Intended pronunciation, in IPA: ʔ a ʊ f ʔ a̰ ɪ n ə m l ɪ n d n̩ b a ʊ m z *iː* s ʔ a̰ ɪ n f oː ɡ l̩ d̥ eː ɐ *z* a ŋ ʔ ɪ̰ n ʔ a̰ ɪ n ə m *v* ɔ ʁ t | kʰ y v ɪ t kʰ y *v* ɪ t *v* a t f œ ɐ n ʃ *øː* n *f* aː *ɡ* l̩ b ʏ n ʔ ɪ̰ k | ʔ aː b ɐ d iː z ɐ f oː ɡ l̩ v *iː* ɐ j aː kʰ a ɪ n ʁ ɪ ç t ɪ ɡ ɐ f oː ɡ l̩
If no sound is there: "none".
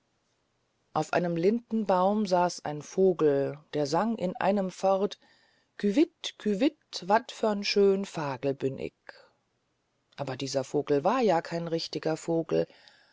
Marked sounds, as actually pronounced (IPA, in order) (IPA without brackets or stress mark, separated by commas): aː, z, f, v, v, øː, f, ɡ, aː